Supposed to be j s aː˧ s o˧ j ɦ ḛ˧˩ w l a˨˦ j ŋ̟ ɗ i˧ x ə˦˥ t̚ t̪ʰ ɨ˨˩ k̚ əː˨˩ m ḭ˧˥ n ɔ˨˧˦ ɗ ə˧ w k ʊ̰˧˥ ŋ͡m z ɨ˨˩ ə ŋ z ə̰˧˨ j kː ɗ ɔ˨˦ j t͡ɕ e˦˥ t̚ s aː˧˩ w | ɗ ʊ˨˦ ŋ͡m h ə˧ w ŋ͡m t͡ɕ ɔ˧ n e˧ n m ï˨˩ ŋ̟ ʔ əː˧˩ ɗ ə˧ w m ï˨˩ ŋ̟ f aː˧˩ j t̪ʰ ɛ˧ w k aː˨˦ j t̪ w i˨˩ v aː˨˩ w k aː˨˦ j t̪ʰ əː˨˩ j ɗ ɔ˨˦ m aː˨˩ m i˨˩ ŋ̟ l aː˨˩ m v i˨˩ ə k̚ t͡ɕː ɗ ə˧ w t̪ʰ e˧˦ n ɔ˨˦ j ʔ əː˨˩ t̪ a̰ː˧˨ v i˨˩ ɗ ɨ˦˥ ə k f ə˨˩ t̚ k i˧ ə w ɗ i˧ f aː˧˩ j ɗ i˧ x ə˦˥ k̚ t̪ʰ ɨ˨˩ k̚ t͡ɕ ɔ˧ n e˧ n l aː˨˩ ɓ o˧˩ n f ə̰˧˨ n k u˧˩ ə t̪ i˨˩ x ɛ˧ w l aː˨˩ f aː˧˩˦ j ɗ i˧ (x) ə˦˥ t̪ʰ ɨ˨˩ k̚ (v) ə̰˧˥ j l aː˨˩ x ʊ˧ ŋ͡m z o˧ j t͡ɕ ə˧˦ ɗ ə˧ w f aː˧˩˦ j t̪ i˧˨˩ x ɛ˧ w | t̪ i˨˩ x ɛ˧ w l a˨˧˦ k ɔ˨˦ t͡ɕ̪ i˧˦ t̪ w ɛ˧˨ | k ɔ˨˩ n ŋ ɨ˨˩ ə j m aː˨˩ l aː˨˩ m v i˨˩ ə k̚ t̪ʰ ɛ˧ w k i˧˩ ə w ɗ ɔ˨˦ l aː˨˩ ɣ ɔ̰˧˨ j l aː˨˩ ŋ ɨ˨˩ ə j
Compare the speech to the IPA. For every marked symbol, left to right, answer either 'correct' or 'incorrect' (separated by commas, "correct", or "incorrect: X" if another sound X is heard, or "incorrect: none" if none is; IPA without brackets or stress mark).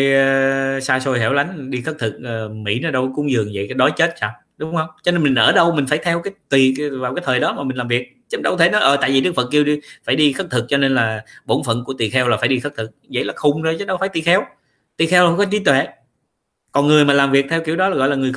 correct, incorrect: z